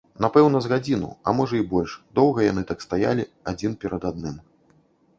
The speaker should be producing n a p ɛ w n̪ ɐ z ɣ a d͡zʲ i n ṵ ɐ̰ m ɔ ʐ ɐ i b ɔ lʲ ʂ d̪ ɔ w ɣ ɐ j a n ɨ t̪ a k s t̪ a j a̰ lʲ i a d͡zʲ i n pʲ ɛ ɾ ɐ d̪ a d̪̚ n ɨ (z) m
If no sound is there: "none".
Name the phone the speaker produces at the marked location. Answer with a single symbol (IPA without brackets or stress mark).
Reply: none